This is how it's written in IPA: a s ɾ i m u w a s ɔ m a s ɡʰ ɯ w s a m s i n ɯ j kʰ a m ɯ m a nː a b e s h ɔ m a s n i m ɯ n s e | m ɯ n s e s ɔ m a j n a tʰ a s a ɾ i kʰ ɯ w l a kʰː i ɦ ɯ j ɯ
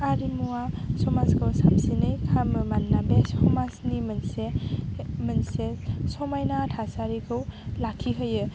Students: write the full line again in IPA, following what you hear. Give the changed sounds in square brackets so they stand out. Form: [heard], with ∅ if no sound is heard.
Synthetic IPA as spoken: a [∅] ɾ i m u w a s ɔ m a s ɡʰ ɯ w s a m s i n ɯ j kʰ a m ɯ m a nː a b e s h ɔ m a s n i m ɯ n s e | m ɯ n s e s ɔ m a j n a tʰ a s a ɾ i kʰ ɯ w l a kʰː i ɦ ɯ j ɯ